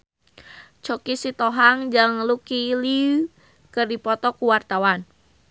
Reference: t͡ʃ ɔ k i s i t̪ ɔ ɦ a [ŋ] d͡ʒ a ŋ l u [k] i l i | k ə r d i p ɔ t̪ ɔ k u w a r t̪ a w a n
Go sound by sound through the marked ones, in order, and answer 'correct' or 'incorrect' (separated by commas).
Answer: correct, correct